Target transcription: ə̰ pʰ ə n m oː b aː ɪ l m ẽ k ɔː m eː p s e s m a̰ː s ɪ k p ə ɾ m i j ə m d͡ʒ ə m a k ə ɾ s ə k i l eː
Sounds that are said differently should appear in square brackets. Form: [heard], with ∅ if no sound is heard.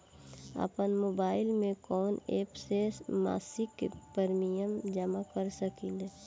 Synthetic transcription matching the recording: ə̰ [p] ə n m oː b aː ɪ l m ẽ k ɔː [n] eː p s e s m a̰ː s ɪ k p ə ɾ m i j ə m d͡ʒ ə m a k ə ɾ s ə k i l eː